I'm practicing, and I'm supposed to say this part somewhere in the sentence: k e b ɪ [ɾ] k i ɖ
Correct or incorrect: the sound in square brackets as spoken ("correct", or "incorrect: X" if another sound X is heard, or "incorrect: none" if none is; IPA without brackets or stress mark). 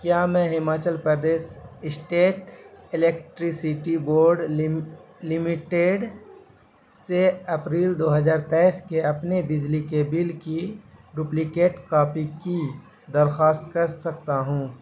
incorrect: l